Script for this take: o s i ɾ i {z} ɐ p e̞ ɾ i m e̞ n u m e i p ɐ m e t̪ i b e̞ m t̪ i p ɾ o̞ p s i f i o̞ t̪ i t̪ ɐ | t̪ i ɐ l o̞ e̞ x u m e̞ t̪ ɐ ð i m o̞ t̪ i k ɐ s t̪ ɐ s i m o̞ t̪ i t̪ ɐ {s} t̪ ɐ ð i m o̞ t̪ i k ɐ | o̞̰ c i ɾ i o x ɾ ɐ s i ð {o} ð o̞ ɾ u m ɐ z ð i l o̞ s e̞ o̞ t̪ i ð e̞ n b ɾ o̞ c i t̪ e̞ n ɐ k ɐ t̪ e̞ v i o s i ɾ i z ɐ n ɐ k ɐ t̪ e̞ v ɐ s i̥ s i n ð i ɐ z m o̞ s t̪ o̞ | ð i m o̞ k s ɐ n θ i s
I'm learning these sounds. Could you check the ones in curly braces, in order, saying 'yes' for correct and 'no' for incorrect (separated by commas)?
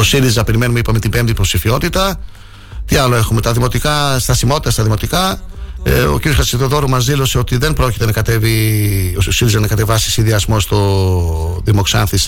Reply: yes, yes, yes